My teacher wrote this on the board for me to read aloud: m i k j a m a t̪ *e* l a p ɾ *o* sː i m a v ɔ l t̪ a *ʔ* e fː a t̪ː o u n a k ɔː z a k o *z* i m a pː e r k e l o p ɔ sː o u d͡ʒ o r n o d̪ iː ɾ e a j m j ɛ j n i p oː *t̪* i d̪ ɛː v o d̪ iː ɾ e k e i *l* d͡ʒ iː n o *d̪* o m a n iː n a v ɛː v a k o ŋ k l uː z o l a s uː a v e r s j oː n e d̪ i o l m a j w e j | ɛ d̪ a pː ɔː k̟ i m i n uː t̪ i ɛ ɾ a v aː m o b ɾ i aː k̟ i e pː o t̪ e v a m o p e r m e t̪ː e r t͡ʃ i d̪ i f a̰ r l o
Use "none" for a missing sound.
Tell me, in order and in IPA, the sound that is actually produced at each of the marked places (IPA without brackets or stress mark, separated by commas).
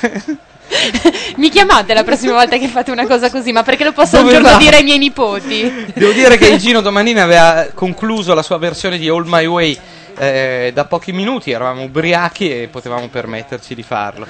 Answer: e, ɔ, k, z, t̪, l, d̪